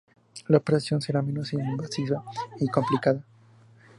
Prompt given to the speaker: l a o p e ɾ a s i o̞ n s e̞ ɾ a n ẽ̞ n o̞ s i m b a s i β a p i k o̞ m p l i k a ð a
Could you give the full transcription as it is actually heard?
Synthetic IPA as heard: l a o p e ɾ a s j o̞ n s e̞ ɾ a m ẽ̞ n o̞ s i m b a s i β a i k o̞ m p l i k a ð a